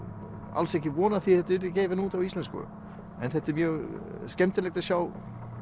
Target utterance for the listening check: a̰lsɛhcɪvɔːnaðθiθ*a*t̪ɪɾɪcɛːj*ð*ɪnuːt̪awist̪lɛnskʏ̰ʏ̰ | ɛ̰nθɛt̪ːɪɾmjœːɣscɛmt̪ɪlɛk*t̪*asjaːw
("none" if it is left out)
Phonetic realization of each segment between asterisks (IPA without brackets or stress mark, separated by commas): ɛ, v, t̪